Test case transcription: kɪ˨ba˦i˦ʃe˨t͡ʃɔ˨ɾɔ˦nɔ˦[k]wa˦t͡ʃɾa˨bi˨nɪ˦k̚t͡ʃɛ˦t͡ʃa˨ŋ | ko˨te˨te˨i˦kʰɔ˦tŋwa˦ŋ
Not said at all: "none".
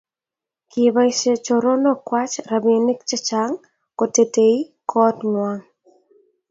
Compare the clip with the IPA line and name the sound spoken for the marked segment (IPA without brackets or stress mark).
k